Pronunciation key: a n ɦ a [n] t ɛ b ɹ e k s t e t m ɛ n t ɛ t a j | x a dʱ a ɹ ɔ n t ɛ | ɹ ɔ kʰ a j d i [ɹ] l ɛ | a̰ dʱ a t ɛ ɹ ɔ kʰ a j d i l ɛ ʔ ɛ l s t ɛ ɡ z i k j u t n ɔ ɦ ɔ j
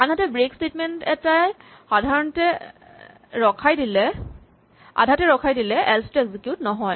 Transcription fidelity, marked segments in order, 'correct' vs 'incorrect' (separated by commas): incorrect, incorrect